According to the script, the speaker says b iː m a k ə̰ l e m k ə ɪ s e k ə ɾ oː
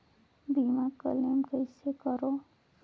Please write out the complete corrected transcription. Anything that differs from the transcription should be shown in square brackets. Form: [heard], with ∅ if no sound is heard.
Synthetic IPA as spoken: b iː m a k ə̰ l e m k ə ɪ s e k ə ɾ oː